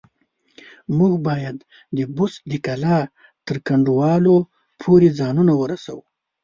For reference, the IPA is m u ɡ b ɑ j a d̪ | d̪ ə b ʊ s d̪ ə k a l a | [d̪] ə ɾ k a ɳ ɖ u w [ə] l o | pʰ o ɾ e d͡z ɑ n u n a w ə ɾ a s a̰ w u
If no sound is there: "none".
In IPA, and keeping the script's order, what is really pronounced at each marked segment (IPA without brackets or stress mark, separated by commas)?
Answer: t̪, ɑ